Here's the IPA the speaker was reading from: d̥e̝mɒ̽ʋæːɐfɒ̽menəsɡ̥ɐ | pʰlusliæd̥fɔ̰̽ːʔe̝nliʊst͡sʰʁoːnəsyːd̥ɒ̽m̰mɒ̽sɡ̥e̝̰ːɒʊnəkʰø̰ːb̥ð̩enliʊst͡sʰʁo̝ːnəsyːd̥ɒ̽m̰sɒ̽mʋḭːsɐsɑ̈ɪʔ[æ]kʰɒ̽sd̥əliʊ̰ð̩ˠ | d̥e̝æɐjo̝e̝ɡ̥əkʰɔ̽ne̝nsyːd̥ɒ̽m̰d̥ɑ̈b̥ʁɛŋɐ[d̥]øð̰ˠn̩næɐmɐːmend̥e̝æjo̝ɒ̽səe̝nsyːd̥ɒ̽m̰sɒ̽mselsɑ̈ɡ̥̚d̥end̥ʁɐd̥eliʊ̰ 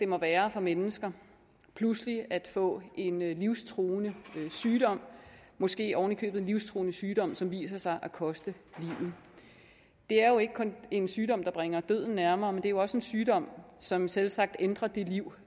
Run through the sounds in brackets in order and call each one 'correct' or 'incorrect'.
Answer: correct, correct

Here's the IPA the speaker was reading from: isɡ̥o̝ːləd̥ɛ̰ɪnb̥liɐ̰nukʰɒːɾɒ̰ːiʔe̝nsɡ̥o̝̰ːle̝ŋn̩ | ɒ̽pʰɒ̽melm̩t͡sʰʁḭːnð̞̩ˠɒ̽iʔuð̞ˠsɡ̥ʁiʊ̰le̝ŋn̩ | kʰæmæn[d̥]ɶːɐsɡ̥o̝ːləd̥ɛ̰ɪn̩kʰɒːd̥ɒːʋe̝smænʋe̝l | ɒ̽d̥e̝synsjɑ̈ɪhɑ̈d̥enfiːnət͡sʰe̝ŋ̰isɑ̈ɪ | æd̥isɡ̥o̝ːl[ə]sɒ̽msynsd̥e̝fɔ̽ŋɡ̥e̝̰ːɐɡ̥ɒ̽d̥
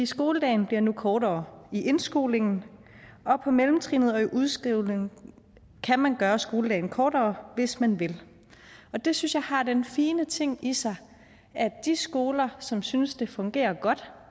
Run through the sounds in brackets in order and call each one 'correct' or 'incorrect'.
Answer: incorrect, incorrect

